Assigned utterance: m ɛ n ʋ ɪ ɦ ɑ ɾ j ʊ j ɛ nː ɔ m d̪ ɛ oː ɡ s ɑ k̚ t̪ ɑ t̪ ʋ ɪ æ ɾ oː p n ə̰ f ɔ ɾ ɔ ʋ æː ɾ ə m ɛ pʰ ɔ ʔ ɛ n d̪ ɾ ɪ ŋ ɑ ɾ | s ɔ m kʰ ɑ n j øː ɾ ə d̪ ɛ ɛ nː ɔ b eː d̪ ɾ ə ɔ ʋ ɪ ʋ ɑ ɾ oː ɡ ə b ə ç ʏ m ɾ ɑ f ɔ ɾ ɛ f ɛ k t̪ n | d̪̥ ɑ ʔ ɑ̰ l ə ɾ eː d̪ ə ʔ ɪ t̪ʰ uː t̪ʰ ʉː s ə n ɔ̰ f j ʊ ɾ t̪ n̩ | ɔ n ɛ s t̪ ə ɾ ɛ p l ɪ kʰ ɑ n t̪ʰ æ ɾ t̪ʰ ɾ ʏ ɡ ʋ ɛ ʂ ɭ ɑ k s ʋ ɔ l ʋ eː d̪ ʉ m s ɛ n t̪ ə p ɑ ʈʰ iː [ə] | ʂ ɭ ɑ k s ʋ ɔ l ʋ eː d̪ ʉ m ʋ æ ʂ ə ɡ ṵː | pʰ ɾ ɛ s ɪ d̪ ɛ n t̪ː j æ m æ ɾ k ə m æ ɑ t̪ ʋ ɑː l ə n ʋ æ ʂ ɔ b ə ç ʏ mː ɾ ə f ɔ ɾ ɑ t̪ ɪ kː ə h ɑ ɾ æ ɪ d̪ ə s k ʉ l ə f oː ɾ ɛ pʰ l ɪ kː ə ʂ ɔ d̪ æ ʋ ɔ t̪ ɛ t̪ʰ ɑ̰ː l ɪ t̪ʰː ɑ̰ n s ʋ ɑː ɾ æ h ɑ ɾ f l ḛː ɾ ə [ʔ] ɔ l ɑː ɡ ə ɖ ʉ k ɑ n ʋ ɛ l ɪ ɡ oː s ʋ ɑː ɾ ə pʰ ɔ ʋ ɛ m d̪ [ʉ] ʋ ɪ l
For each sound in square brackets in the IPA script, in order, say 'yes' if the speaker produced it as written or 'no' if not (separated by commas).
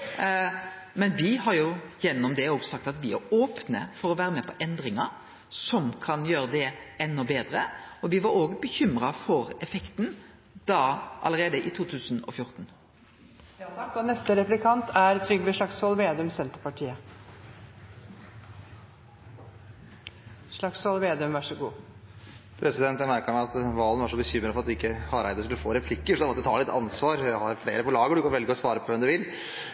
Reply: yes, no, yes